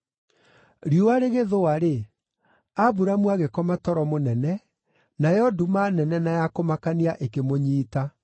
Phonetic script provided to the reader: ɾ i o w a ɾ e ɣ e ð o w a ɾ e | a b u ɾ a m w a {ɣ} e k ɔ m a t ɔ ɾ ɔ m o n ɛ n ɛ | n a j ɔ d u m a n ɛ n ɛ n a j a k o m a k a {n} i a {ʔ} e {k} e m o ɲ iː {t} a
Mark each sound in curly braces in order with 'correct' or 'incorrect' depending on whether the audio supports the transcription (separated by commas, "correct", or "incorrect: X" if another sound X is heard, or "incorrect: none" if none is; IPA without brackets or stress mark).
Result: correct, correct, correct, correct, correct